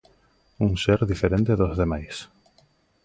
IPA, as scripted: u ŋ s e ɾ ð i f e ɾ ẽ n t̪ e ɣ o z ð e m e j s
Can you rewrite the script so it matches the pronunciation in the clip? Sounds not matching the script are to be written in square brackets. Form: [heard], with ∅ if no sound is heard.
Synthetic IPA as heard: u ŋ s e ɾ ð i f e ɾ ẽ n t̪ e [ð] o z ð e m [a] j s